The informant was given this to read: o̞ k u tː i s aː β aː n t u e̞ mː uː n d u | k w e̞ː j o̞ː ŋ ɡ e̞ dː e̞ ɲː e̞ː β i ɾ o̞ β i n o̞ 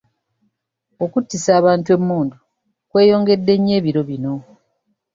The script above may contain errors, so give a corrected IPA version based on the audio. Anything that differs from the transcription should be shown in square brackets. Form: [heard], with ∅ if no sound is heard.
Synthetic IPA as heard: o̞ k u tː i s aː β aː n t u e̞ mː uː n d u | k w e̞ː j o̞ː ŋ ɡ e̞ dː e̞ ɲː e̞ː β i ɾ o̞ β i n o̞